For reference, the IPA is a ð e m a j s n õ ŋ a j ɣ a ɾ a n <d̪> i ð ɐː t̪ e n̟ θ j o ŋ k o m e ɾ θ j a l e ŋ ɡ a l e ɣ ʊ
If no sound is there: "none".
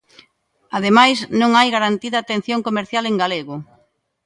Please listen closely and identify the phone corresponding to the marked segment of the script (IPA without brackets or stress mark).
t̪